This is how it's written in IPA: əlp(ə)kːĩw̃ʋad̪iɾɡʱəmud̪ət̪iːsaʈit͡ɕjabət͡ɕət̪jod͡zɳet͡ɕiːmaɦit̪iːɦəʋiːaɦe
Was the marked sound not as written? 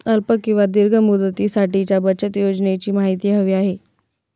no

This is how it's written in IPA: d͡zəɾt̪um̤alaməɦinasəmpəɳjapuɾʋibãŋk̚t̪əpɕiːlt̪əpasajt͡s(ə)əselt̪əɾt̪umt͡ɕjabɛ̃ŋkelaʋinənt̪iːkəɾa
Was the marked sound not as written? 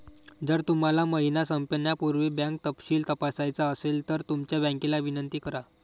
yes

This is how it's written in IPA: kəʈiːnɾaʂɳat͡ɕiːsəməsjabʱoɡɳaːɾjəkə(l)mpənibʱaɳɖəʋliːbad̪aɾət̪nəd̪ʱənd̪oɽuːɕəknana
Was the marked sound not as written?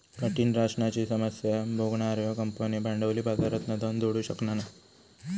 yes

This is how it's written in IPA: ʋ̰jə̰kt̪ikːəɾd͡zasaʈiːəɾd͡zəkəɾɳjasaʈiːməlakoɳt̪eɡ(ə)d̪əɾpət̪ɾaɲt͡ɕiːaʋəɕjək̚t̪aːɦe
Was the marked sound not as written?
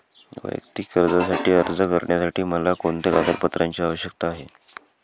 yes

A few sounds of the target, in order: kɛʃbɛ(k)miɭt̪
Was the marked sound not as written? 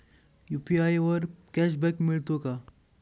no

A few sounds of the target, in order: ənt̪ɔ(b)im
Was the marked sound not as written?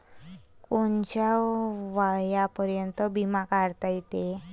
no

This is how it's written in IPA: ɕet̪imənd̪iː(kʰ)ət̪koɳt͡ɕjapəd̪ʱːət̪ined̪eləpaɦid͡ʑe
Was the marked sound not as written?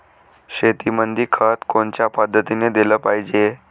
no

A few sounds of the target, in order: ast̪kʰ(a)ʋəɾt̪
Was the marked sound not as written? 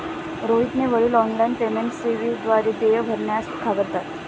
no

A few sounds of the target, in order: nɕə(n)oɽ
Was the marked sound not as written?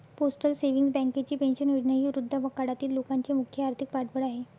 no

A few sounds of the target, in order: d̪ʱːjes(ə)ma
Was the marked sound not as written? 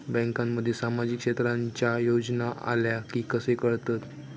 yes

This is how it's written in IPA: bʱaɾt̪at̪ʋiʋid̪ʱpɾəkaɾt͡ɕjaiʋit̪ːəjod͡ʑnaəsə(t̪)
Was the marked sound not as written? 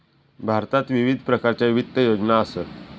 no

